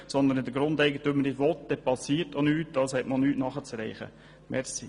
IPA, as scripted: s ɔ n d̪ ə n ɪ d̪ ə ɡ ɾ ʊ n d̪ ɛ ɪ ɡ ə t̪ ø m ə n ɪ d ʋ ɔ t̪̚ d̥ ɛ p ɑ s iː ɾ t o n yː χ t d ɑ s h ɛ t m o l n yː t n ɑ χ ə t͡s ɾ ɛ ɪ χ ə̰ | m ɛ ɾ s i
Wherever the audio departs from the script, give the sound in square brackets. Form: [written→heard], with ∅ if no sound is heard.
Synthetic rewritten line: s ɔ n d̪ ə n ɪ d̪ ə ɡ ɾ ʊ n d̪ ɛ ɪ ɡ ə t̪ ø m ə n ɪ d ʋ ɔ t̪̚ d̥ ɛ p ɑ s iː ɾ t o n yː [χ→∅] t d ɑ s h ɛ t m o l n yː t n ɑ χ ə t͡s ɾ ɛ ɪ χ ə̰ | m ɛ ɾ s i